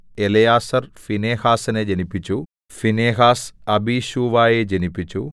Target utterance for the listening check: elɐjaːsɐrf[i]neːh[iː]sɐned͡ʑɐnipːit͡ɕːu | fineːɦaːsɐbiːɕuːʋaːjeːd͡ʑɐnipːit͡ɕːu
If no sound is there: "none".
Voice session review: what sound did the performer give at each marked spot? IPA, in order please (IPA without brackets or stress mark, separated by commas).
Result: i, aː